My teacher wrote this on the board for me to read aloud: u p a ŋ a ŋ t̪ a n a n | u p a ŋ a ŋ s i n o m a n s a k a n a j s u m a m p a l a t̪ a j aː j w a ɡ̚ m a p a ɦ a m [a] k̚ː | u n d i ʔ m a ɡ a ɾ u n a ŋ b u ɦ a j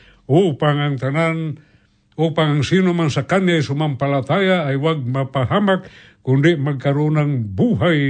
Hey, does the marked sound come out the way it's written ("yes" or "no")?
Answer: yes